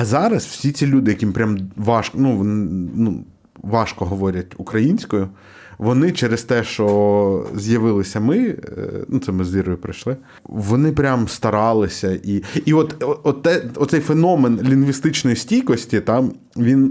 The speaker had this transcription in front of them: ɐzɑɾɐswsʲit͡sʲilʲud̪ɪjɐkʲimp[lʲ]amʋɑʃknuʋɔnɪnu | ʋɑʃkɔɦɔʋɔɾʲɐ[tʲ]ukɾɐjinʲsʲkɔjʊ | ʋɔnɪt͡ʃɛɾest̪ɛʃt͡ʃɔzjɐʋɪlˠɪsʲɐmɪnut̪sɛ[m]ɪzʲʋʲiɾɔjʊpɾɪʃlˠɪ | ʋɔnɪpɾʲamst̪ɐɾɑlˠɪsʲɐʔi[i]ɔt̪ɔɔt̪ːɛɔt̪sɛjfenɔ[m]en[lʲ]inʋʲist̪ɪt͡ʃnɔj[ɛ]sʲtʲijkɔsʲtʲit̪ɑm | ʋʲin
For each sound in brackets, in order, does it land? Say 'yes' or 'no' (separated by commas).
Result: no, yes, yes, yes, yes, yes, no